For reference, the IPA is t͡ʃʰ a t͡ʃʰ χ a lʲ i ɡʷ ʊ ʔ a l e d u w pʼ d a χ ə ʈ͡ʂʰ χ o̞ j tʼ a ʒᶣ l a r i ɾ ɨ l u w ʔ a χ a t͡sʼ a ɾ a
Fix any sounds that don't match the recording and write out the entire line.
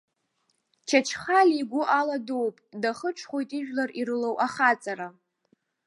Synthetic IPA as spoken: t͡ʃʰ a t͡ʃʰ χ a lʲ i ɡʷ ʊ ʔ a l a d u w pʼ d a χ ə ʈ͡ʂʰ χ o̞ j tʼ i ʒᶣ l a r i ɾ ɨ l o w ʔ a χ a t͡sʼ a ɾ a